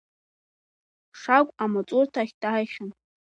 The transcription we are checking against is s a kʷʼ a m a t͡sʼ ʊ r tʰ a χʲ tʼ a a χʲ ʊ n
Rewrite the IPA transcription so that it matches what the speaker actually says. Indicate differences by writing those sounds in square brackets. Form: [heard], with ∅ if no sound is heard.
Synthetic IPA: [ʂ] a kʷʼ a m a t͡sʼ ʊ r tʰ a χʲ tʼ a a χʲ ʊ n